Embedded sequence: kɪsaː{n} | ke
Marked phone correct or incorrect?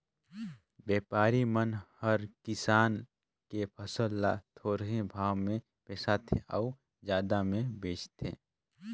correct